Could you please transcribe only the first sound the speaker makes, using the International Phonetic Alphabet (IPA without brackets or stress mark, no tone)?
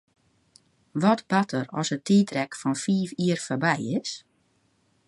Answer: ʋ